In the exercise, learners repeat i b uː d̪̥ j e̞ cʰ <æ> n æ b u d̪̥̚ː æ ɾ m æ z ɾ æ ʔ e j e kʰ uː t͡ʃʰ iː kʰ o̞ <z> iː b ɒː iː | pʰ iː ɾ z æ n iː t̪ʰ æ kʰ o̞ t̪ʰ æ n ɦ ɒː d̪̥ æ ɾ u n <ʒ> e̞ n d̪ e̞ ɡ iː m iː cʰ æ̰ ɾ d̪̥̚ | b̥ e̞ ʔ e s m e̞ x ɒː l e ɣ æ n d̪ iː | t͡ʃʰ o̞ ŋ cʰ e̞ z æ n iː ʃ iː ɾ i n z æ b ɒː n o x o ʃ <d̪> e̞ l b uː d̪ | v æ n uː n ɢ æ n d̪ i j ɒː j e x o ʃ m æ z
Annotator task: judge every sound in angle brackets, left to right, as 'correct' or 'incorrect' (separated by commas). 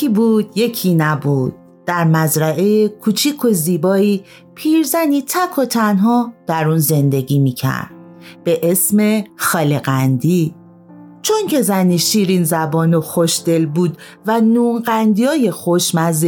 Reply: incorrect, correct, incorrect, correct